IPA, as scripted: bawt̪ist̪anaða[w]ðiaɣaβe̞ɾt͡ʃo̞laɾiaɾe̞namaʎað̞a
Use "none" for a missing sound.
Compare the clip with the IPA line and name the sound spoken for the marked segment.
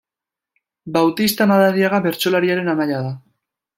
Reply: none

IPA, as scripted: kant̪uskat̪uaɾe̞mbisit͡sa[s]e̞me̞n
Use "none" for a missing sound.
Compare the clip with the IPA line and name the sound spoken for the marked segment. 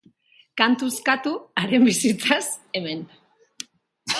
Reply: s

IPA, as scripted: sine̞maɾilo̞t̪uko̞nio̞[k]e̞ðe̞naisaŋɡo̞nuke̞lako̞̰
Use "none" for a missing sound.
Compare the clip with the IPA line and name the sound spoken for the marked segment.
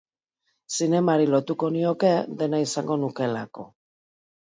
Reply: k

